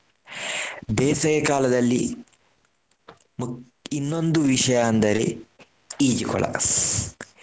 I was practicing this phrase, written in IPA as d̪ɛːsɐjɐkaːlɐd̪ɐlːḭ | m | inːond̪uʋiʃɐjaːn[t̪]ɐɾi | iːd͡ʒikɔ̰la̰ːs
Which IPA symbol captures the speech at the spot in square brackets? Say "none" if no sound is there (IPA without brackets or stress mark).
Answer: d̪